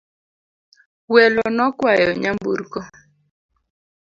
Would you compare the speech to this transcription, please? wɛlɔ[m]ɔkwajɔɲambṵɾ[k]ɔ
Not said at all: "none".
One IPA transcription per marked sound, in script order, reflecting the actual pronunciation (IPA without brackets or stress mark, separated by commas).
n, k